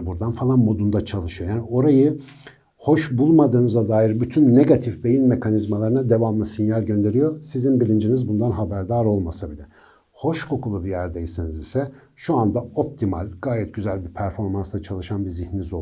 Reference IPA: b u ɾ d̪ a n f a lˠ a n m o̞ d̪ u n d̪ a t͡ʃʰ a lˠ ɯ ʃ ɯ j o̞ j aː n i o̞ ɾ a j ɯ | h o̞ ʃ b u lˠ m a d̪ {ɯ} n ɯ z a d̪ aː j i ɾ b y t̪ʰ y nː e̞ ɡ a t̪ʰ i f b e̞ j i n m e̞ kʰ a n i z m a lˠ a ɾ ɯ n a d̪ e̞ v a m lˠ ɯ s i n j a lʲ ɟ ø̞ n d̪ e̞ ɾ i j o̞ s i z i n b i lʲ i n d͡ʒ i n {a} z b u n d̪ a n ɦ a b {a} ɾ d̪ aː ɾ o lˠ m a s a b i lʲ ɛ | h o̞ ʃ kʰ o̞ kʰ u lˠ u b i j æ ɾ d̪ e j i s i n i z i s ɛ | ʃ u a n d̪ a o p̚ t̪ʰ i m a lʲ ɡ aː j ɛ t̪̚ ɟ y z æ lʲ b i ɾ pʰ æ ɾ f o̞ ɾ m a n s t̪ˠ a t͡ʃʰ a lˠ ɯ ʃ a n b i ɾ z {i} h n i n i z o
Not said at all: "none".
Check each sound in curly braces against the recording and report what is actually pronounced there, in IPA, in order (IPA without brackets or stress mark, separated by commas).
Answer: ɯː, i, æ, i